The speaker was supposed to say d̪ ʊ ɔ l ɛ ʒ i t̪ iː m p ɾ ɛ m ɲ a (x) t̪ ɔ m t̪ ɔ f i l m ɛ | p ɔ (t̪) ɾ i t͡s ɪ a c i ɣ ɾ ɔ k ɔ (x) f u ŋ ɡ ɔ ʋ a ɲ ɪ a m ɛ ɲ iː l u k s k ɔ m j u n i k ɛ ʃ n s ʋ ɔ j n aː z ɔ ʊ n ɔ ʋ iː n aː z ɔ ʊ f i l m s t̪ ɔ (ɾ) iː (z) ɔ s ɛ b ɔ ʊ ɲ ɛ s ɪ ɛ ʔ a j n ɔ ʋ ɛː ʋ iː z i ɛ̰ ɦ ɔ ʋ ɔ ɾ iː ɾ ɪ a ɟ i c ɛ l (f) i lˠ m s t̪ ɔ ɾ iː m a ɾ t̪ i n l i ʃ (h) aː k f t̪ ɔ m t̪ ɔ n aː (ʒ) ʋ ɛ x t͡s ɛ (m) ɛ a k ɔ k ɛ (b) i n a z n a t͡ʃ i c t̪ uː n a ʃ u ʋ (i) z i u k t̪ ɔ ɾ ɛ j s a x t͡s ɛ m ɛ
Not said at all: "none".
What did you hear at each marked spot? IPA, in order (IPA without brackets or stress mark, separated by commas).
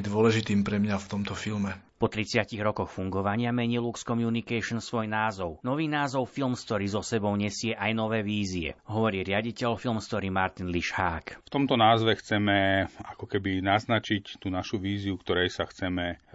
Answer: f, t̪, x, ɾ, z, f, h, z, m, b, iː